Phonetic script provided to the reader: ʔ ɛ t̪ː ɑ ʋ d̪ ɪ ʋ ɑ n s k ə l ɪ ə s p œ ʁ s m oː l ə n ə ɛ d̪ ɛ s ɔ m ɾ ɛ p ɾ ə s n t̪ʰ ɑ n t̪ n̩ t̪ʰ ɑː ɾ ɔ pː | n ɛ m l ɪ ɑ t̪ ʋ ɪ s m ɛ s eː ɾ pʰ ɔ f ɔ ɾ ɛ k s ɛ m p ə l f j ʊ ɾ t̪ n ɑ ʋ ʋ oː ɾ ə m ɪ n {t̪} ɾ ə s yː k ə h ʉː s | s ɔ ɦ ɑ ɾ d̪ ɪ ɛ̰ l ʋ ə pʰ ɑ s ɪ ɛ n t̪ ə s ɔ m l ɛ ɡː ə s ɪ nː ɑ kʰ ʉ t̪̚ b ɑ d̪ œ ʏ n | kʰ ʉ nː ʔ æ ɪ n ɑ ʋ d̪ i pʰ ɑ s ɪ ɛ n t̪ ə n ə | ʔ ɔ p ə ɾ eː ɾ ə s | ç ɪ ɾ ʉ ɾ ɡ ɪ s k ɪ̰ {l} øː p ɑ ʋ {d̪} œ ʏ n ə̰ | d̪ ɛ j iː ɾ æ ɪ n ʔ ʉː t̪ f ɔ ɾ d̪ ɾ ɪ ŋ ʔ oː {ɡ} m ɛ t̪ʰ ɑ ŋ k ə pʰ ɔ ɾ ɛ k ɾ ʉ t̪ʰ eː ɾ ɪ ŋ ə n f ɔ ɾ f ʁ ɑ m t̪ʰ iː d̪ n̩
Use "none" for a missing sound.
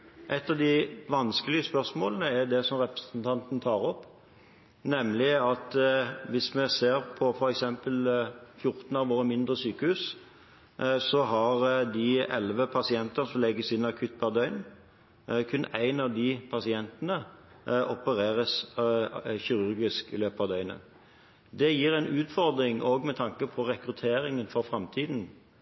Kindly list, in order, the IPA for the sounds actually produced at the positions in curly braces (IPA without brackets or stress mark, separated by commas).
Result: d̪, l, d̪, ɡ